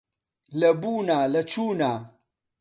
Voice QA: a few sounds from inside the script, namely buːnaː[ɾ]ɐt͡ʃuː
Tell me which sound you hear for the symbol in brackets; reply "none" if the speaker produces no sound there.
l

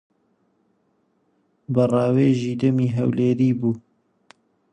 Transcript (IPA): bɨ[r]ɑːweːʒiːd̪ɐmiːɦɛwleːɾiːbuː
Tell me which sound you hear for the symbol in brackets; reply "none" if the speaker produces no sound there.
r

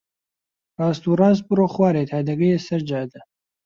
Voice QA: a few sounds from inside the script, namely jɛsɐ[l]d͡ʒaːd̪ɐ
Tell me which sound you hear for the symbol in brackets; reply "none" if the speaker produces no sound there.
ɾ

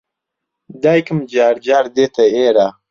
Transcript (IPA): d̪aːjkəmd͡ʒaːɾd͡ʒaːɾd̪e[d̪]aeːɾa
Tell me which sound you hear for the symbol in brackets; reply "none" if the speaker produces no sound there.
t̪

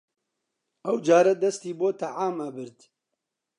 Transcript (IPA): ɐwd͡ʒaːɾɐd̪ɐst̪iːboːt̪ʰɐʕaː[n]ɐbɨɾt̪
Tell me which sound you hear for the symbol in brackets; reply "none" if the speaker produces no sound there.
m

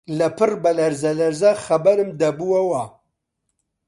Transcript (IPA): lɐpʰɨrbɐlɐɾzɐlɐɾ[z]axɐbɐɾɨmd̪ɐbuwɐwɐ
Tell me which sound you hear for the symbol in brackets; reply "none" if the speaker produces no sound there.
z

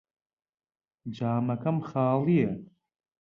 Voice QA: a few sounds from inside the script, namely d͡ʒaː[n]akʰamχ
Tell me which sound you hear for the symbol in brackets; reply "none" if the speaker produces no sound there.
m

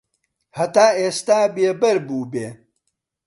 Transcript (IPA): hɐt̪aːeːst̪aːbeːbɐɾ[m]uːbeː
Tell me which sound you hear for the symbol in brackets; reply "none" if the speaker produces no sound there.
b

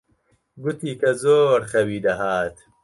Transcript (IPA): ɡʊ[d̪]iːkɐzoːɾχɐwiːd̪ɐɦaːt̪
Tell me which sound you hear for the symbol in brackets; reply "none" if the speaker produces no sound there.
t̪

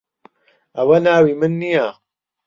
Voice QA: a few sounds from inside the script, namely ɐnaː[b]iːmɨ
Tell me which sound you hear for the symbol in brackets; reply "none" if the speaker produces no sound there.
w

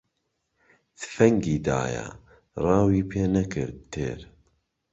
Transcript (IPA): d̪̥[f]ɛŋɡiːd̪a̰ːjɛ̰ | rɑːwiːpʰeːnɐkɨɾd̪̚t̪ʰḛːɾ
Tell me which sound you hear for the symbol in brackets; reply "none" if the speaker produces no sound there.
f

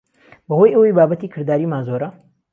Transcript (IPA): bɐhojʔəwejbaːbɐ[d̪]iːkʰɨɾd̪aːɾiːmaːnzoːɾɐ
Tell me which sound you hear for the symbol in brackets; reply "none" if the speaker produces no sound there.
t̪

